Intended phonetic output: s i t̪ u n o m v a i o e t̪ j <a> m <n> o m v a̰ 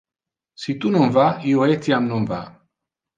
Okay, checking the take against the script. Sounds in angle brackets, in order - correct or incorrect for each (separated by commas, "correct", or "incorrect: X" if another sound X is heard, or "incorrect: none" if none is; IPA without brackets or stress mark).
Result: correct, correct